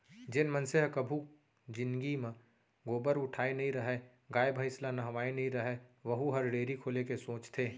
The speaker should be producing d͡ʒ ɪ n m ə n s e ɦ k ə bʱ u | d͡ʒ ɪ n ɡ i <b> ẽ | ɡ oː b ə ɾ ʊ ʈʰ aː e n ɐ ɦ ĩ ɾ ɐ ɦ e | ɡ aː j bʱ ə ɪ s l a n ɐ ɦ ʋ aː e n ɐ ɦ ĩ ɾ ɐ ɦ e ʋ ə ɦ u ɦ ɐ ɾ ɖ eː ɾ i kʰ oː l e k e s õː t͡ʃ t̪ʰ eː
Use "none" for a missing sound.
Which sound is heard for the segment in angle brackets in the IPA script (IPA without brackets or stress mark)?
m